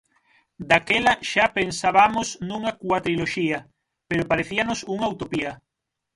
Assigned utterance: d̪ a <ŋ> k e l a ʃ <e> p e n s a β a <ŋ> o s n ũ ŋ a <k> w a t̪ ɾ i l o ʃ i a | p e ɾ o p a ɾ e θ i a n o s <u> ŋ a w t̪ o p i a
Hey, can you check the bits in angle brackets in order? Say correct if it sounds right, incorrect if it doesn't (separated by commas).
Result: incorrect, incorrect, incorrect, correct, correct